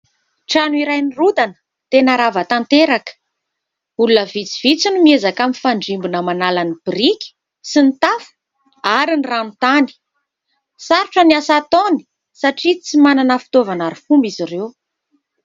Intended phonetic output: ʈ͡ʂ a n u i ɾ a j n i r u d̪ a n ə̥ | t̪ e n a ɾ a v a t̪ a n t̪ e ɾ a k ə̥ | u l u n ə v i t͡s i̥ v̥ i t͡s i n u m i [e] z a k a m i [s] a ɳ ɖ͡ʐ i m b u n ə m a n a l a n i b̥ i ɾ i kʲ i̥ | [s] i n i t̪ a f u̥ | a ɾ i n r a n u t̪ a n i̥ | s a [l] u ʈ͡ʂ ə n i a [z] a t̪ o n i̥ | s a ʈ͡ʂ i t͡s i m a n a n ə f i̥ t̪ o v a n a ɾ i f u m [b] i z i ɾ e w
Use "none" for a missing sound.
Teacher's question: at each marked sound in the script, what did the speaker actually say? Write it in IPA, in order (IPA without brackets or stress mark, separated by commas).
e, f, s, ɾ, s, b